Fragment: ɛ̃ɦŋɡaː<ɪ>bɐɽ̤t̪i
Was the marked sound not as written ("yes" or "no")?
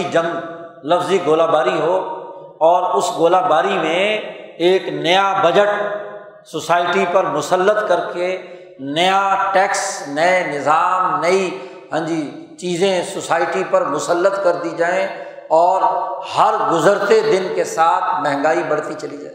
yes